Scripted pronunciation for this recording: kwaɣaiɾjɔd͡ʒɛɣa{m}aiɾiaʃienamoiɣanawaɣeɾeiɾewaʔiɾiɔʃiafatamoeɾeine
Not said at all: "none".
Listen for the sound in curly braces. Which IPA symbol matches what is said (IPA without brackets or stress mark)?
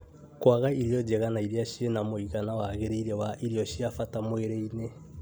n